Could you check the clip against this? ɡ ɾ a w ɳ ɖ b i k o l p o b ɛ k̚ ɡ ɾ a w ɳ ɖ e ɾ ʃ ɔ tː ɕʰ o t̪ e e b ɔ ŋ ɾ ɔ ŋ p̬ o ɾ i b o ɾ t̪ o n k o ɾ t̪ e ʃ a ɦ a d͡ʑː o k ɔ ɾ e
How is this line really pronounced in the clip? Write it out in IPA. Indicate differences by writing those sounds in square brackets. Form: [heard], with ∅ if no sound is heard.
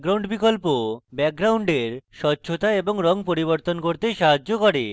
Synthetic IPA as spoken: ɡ ɾ a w ɳ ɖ b i k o l p o b ɛ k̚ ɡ ɾ a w ɳ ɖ e ɾ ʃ ɔ tː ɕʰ o t̪ [a] e b [o] ŋ ɾ ɔ ŋ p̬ o ɾ i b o ɾ t̪ o n k o ɾ t̪ e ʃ a ɦ a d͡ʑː o k ɔ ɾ e